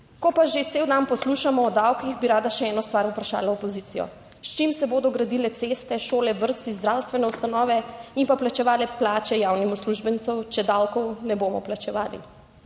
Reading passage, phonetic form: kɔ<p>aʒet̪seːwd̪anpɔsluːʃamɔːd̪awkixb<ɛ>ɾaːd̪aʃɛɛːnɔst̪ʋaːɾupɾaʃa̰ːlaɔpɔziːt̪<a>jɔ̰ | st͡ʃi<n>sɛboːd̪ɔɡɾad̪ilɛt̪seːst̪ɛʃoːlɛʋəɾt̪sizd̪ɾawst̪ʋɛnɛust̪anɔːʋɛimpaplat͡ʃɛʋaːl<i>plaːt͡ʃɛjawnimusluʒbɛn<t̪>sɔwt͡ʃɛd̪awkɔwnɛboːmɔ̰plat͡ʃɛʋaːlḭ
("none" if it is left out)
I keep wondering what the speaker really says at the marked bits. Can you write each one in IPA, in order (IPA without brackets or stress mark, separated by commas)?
p, i, i, m, ɛ, t̪